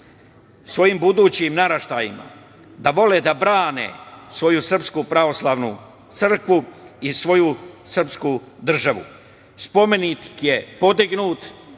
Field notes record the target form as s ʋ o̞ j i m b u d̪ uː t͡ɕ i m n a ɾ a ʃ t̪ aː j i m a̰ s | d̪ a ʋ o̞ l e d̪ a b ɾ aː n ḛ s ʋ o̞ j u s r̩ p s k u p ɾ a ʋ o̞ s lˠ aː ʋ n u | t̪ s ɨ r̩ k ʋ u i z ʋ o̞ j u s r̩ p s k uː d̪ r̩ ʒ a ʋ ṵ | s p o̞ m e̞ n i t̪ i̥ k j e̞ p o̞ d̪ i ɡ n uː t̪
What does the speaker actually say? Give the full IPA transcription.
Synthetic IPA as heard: s ʋ o̞ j i m b u d̪ uː t͡ɕ i m n a ɾ a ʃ t̪ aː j i m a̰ | d̪ a ʋ o̞ l e d̪ a b ɾ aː n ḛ s ʋ o̞ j u s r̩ p s k u p ɾ a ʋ o̞ s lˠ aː ʋ n u | t̪ s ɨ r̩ k ʋ u i s ʋ o̞ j u s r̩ p s k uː d̪ r̩ ʒ a ʋ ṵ | s p o̞ m e̞ n i t̪ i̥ k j e̞ p o̞ d̪ i ɡ n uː t̪